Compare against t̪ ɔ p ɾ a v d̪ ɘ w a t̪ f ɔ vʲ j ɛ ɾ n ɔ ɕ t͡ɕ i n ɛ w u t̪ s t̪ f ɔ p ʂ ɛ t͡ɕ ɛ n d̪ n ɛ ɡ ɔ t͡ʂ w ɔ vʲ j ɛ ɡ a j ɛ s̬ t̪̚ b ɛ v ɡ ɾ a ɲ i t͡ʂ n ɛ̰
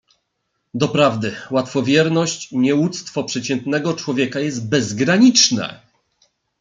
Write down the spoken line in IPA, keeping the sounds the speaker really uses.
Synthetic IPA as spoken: d̪ ɔ p ɾ a v d̪ ɘ w a t̪ f ɔ vʲ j ɛ ɾ n ɔ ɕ t͡ɕ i ɲ ɛ w u t̪ s t̪ f ɔ p ʂ ɛ t͡ɕ ɛ n t̪ n ɛ ɡ ɔ t͡ʂ w ɔ vʲ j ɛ k a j ɛ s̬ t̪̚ b ɛ z ɡ ɾ a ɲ i t͡ʂ n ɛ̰